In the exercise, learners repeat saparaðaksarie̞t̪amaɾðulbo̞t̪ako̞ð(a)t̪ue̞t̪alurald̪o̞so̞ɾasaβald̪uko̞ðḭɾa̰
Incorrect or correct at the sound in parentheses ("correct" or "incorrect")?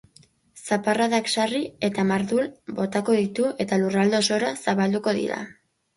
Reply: incorrect